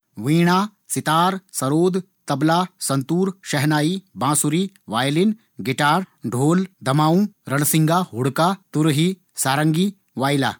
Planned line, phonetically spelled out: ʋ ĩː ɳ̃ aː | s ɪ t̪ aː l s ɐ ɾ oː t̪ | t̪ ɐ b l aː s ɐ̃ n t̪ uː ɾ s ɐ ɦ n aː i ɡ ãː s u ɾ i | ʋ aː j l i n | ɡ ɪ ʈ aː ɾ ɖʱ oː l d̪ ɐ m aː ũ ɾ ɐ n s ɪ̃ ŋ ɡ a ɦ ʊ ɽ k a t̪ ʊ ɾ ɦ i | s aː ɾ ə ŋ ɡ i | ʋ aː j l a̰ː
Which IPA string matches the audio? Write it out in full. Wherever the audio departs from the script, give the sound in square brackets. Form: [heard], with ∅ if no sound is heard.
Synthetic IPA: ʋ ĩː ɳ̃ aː | s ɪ t̪ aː [ɾ] s ɐ ɾ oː [d̪] | t̪ ɐ b l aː s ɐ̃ n t̪ uː ɾ [ʃ] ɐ ɦ n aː i [b] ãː s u ɾ i | ʋ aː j l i n | ɡ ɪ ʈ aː ɾ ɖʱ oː l d̪ ɐ m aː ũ ɾ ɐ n s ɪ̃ ŋ ɡ a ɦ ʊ ɽ k a t̪ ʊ ɾ ɦ i | s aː ɾ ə ŋ ɡ i | ʋ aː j l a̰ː